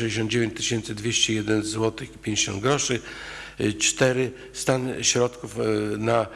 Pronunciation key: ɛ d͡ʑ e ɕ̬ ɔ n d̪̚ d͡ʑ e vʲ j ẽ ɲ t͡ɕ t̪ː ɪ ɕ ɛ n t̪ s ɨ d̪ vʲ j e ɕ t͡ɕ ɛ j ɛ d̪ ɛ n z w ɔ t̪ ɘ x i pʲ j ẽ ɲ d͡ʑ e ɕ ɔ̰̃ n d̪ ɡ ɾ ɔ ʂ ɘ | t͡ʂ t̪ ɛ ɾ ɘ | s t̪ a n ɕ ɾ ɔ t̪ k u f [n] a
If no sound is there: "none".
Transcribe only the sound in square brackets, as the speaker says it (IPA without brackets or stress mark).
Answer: n